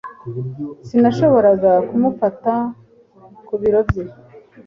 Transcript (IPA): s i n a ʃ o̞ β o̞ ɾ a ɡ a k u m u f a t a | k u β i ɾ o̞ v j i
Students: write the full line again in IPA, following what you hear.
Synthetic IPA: s i n a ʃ o̞ β o̞ ɾ a ɡ a k u m u f a t a | k u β i ɾ o̞ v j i